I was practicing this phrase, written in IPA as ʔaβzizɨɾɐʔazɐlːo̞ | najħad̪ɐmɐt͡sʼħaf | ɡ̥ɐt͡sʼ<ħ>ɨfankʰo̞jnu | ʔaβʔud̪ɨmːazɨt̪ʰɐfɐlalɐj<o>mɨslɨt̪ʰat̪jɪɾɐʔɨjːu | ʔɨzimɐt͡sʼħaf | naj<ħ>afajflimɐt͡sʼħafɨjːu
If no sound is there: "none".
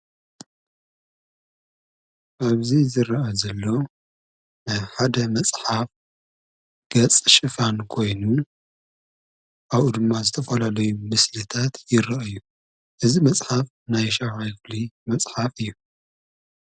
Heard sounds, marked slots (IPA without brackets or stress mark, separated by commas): ʃ, u, ʃ